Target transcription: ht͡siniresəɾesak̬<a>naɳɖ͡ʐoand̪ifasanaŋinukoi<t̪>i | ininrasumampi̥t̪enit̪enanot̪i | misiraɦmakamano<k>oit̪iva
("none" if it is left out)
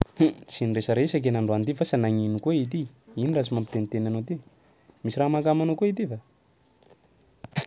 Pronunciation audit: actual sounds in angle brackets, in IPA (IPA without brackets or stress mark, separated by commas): e, t̪, k